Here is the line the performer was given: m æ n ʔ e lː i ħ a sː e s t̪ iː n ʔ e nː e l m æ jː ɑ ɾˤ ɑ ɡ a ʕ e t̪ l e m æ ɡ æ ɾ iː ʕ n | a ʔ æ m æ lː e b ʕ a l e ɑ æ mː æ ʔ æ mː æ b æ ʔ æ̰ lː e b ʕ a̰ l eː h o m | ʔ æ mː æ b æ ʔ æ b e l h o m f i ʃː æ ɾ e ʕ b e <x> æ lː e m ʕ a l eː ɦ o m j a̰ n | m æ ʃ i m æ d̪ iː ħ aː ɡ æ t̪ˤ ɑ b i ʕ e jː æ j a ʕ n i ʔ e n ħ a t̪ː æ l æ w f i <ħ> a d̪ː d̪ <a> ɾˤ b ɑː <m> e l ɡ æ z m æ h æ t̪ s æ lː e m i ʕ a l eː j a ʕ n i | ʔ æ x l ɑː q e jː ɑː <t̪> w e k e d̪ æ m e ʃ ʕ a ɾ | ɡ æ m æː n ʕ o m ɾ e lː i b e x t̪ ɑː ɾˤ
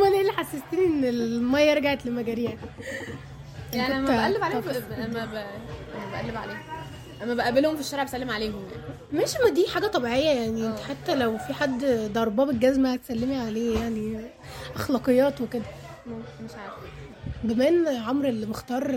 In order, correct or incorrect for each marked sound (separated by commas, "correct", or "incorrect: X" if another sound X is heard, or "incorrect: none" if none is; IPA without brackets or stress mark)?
incorrect: s, correct, incorrect: ɑ, incorrect: b, correct